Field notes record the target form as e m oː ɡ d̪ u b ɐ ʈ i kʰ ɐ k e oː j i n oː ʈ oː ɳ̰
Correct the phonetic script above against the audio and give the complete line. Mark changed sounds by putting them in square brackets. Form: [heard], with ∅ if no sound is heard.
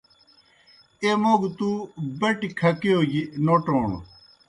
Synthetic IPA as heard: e m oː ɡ [t̪] u b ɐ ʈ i kʰ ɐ k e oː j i n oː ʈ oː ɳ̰